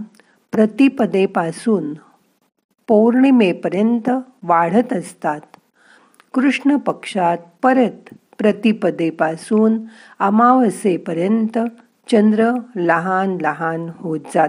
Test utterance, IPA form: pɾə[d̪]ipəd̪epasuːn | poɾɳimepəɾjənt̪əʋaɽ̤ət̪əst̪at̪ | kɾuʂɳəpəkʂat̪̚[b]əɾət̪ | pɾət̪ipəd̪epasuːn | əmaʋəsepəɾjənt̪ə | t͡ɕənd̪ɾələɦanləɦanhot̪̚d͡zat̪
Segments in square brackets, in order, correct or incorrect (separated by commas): incorrect, incorrect